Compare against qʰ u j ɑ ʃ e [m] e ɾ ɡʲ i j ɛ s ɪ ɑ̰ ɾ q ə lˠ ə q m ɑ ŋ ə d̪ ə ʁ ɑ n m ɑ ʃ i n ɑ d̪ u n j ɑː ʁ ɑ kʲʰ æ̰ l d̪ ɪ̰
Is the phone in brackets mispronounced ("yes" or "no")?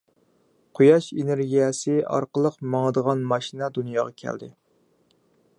yes